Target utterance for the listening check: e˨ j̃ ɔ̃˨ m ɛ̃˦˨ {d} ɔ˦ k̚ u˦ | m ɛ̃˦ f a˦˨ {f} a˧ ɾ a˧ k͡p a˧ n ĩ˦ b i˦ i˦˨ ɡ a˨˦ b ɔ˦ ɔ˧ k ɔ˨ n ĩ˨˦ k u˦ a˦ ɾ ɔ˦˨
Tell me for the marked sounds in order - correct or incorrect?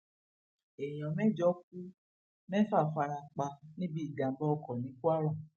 incorrect: d͡ʒ, correct

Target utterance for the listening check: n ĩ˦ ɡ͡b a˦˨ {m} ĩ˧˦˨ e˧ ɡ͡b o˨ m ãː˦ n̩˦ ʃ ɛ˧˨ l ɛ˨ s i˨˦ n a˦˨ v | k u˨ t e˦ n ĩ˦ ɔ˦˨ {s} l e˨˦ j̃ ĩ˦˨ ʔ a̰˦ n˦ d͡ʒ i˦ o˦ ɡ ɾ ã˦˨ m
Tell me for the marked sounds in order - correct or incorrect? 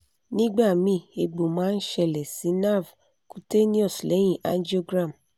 correct, correct

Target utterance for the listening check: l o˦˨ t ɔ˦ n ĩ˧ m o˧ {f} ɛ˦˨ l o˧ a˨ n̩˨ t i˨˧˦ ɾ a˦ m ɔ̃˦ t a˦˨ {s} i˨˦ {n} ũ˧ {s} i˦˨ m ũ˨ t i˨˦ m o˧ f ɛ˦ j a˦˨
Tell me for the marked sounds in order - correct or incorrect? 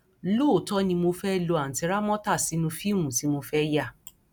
correct, correct, correct, incorrect: f

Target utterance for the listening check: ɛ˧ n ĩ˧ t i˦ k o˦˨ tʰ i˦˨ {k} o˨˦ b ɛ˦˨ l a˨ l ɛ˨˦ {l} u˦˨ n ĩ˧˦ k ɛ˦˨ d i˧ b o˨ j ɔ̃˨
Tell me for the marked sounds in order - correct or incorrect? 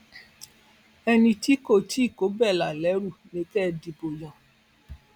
correct, incorrect: ɾ

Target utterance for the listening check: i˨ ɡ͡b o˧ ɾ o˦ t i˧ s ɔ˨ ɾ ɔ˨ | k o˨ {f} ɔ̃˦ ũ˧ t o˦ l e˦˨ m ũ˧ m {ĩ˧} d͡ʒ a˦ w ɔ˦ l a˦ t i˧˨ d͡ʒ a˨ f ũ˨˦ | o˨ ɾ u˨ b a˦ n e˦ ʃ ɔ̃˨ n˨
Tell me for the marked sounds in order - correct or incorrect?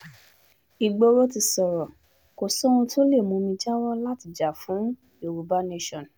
incorrect: s, correct

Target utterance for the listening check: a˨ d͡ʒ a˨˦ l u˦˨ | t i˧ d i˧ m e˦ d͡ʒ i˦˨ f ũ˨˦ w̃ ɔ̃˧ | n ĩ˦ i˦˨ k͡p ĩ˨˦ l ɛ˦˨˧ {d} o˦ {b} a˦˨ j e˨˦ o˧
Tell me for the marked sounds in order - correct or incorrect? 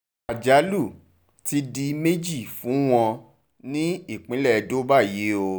correct, correct

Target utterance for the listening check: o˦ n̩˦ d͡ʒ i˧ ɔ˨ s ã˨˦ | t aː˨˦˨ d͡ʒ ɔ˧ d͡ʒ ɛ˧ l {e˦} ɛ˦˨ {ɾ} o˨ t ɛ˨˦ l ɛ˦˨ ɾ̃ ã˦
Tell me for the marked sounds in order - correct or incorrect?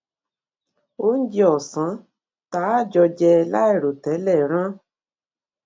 incorrect: a˦, correct

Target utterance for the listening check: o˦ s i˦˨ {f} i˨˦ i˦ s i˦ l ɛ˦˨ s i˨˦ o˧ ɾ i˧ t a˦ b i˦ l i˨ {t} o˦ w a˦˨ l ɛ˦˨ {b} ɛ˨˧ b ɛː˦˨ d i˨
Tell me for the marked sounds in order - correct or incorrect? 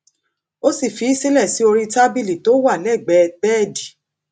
correct, correct, incorrect: ɡ͡b

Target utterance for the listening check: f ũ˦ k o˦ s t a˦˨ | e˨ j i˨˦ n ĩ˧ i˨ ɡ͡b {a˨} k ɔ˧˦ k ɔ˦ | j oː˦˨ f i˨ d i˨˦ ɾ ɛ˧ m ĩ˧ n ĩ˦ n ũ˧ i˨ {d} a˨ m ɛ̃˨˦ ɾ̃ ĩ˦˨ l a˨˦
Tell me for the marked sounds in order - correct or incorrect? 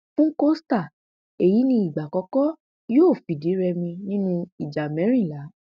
correct, incorrect: d͡ʒ

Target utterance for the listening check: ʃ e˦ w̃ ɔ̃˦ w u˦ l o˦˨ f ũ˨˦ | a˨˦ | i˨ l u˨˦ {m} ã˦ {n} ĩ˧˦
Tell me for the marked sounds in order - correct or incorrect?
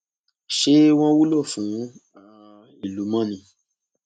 correct, correct

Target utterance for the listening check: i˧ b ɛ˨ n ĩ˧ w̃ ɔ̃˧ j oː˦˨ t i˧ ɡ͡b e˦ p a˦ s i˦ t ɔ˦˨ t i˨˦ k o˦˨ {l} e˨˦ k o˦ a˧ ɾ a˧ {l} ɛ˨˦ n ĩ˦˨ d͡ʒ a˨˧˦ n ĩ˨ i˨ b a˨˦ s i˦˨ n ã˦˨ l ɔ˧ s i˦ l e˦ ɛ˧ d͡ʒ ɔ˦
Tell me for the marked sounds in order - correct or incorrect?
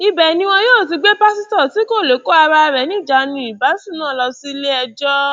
correct, incorrect: ɾ

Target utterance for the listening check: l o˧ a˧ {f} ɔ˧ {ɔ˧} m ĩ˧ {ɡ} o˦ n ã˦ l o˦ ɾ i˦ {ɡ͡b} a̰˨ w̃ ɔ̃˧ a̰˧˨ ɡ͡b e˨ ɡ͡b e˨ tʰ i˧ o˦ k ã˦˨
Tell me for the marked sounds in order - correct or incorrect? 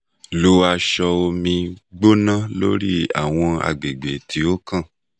incorrect: ʃ, incorrect: o˧, incorrect: ɡ͡b, incorrect: none

